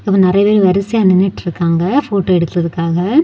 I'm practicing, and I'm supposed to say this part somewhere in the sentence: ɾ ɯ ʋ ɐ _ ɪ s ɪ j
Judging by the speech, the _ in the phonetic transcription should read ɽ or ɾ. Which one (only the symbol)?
ɾ